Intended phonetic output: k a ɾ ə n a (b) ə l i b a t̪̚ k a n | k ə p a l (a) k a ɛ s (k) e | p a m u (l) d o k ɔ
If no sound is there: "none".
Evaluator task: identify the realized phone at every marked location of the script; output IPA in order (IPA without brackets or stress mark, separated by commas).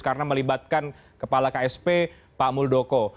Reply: m, a, p, l